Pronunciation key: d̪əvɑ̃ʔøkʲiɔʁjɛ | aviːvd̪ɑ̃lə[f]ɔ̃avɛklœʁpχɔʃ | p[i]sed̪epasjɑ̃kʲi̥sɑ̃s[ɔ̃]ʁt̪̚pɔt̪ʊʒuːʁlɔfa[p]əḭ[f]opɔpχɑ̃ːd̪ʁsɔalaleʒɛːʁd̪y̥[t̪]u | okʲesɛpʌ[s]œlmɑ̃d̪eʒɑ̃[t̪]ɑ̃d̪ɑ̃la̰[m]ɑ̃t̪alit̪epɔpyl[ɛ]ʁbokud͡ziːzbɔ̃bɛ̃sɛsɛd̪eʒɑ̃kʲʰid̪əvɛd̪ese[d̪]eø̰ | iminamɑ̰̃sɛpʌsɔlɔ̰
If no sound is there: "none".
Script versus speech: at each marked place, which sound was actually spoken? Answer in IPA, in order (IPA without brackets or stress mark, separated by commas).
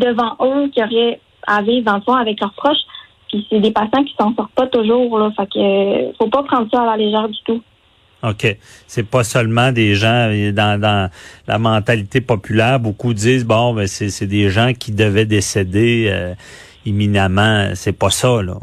f, i, ɔ, k, f, t̪, s, d̪, m, ɛː, d̪